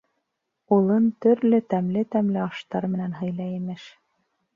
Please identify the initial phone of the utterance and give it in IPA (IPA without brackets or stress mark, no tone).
u